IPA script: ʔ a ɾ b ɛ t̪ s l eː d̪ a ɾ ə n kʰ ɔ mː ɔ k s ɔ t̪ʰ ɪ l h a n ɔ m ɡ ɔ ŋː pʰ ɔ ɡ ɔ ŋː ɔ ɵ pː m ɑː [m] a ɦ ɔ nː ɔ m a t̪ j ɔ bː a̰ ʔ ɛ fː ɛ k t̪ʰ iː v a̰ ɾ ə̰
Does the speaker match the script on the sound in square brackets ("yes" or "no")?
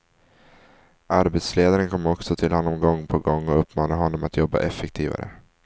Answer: no